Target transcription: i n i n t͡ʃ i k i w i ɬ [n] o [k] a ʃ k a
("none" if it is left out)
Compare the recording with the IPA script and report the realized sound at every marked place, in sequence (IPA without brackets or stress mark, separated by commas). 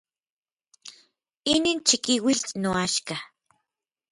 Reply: n, none